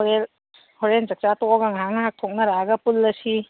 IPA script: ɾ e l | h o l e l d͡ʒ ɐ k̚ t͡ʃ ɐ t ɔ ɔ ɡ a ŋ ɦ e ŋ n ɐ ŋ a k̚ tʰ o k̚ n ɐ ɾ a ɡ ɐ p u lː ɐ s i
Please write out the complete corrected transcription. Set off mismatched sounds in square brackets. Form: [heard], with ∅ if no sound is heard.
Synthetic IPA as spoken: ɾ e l | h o [ɾ] e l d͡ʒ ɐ k̚ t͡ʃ [a] t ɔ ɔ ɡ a ŋ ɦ [a] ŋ n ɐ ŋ a k̚ tʰ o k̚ n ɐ ɾ a ɡ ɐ p u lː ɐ s i

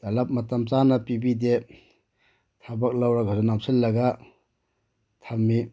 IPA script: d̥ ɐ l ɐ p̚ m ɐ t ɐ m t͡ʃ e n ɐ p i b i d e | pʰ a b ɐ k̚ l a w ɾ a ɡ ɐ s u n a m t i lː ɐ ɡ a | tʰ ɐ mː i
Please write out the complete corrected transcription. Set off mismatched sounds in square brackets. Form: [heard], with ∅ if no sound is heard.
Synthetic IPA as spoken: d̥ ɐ l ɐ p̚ m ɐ t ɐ m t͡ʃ [a] n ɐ p i b i d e | [tʰ] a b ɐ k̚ l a w ɾ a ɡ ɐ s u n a m [s] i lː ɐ ɡ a | tʰ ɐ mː i

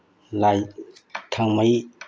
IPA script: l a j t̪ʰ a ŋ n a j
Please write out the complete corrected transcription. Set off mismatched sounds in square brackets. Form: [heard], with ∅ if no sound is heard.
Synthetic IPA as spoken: l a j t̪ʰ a ŋ [m] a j

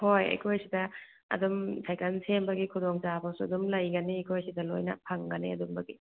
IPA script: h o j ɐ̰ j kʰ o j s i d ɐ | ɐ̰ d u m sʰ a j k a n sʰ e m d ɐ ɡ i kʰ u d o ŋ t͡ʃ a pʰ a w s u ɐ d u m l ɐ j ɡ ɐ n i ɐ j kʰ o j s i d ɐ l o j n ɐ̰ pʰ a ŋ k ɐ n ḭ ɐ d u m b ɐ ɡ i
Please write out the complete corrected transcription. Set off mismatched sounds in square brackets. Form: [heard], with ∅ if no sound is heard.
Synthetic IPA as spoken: h o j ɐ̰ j kʰ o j s i d ɐ | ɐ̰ d u m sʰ a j k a n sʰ e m [b] ɐ ɡ i kʰ u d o ŋ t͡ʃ a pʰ a w s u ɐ d u m l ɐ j ɡ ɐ n i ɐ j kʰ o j s i d ɐ l o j n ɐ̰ pʰ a ŋ [ɡ] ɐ n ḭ ɐ d u m b ɐ ɡ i

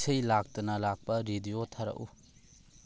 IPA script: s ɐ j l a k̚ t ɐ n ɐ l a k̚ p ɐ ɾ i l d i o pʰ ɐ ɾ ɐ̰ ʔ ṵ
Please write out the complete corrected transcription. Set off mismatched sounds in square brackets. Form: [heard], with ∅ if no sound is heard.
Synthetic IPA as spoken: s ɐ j l a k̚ t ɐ n ɐ l a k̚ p ɐ ɾ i [∅] d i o [tʰ] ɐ ɾ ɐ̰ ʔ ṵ

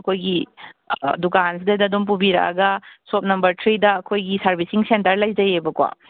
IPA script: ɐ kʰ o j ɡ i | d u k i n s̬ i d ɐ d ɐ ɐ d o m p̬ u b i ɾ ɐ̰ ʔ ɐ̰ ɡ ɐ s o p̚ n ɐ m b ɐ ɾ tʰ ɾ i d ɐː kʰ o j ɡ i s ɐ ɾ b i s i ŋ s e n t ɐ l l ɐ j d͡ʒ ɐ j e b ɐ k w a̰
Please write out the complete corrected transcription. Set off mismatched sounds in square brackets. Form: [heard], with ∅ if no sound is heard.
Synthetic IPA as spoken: ɐ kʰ o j ɡ i | d u k [a] n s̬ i d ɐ d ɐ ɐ d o m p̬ u b i ɾ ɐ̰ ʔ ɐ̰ ɡ ɐ s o p̚ n ɐ m b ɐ ɾ tʰ ɾ i d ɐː kʰ o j ɡ i s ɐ ɾ b i s i ŋ s e n t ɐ [ɾ] l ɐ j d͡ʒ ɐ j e b ɐ k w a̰

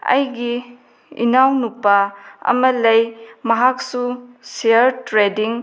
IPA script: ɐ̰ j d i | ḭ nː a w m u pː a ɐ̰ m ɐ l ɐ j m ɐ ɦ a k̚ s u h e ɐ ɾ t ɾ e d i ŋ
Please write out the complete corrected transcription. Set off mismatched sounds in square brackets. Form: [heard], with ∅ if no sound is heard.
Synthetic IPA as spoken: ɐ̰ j [ɡ] i | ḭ [n] a w [n] u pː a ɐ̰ m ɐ l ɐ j m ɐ ɦ a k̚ s u [s] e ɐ ɾ t ɾ e d i ŋ

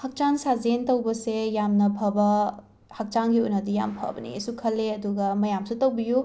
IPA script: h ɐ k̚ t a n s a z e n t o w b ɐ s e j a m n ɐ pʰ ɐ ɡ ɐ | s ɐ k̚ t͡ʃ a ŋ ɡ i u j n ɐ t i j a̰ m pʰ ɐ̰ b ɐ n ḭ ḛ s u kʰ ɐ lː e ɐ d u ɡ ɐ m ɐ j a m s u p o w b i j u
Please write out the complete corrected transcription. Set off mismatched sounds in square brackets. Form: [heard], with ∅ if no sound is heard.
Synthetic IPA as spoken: h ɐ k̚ [t͡ʃ] a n s a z e n t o w b ɐ s e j a m n ɐ pʰ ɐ [b] ɐ | [h] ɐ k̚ t͡ʃ a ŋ ɡ i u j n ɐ [d] i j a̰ m pʰ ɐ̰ b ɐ n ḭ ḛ s u kʰ ɐ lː e ɐ d u ɡ ɐ m ɐ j a m s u [t] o w b i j u

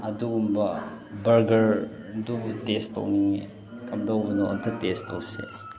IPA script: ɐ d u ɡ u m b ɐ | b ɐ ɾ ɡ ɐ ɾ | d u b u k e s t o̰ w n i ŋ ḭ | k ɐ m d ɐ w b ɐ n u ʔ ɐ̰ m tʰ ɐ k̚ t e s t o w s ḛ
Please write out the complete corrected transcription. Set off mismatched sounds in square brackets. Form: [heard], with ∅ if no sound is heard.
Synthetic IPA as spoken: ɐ d u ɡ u m b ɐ | b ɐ ɾ ɡ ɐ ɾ | d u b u [t] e s t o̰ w n i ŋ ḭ | k ɐ m d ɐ w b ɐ n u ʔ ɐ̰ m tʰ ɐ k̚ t e s t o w s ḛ

